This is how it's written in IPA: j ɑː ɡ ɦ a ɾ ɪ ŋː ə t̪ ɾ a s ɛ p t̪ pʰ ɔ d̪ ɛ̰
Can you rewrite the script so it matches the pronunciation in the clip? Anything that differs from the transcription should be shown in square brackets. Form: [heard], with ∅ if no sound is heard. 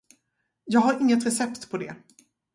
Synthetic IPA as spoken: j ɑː ɡ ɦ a ɾ ɪ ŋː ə t̪ ɾ [ɛ] s ɛ p t̪ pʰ ɔ d̪ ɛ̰

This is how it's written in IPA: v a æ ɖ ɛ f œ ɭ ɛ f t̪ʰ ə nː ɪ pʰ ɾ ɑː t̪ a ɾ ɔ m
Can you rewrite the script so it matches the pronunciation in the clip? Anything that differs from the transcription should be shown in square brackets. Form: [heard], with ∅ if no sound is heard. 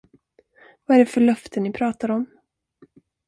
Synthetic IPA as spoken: v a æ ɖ ɛ f œ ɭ [œ] f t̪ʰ ə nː ɪ pʰ ɾ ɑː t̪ a ɾ ɔ m

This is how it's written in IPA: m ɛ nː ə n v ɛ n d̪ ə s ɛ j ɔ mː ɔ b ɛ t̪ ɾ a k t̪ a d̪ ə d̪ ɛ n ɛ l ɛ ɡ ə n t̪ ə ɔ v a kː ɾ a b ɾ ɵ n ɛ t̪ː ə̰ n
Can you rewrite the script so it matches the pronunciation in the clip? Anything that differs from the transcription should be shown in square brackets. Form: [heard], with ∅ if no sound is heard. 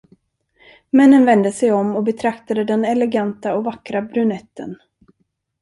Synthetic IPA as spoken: m ɛ nː ə n v ɛ n d̪ ə s ɛ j ɔ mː ɔ b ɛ [t̪ʰ] ɾ a k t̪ a d̪ ə d̪ ɛ n ɛ l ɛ ɡ [a] n t̪ [a] ɔ v a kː ɾ a b ɾ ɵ n ɛ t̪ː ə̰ n

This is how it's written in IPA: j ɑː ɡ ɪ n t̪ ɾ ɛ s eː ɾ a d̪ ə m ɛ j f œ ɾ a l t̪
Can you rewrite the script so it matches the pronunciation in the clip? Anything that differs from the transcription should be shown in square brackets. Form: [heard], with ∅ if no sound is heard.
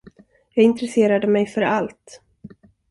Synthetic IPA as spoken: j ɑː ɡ ɪ n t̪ ɾ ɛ s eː ɾ a d̪ ə m ɛ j f œ ɾ a l t̪

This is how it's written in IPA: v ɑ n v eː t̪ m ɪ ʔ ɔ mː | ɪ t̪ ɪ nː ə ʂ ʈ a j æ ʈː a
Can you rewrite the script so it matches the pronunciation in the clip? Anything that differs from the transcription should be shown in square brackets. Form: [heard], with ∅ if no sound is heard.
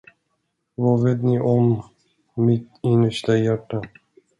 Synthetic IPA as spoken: v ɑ [∅] v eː t̪ [n] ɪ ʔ ɔ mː | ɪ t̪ ɪ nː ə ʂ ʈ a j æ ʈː a

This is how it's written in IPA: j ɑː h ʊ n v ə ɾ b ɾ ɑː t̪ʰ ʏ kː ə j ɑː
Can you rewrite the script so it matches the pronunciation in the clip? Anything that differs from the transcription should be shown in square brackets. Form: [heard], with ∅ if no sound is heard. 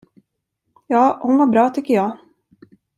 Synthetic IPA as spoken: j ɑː h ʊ n v [a] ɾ b ɾ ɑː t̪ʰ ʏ kː ə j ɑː

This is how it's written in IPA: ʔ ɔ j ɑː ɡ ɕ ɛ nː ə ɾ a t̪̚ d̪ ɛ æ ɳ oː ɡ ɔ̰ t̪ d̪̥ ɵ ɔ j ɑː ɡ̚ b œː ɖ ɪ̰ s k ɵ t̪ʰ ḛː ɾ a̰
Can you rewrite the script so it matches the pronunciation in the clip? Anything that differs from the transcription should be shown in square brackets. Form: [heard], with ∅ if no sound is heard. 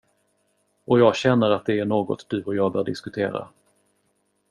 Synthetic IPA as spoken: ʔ ɔ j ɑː ɡ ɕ ɛ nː ə ɾ a t̪̚ d̪ ɛ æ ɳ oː ɡ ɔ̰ t̪ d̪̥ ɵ ɔ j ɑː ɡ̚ b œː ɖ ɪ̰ s k ɵ t̪ʰ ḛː ɾ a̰

